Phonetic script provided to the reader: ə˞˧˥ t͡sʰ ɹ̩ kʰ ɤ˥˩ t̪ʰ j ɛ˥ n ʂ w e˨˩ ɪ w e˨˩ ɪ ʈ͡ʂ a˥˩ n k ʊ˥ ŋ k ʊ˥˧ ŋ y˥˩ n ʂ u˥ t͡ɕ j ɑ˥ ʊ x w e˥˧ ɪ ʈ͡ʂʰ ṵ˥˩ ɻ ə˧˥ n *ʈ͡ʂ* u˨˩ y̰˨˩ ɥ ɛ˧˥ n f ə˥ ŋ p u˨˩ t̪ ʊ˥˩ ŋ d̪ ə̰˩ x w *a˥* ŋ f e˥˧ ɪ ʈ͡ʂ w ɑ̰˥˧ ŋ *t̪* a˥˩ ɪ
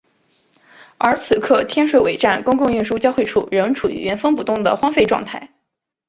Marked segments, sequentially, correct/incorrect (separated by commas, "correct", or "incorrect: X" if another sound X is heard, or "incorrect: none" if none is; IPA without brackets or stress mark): incorrect: ʈ͡ʂʰ, incorrect: ɑ˥, incorrect: t̪ʰ